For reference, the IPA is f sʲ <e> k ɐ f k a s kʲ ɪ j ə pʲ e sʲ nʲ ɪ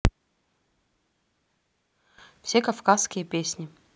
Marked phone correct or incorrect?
correct